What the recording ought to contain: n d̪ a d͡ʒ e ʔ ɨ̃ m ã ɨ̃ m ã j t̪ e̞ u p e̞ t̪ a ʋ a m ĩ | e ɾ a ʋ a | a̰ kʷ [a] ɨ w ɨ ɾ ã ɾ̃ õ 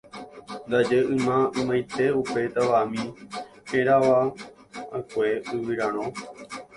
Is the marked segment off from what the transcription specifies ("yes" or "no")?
yes